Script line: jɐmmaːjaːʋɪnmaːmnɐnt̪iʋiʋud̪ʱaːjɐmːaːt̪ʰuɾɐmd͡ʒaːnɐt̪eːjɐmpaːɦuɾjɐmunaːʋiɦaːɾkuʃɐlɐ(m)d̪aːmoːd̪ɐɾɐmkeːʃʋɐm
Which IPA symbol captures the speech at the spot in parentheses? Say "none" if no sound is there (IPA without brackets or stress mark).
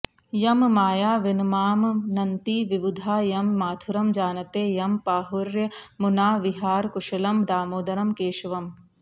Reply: m